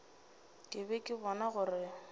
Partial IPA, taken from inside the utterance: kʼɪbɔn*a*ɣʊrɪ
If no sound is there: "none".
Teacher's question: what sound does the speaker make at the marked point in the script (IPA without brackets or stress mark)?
a